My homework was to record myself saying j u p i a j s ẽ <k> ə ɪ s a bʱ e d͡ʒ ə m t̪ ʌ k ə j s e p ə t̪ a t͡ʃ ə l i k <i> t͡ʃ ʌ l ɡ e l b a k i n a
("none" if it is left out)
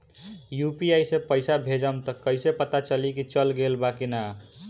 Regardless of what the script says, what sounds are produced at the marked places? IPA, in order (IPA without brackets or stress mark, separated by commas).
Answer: p, i